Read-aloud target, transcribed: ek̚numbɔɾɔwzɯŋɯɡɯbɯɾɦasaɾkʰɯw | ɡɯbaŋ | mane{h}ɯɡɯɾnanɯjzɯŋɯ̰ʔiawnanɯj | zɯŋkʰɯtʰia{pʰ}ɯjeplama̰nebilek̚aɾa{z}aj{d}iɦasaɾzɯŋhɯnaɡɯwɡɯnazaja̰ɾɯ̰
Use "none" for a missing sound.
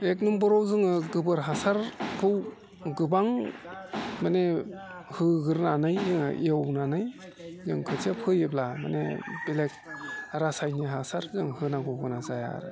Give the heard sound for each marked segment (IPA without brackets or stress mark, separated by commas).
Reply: h, pʰ, s, n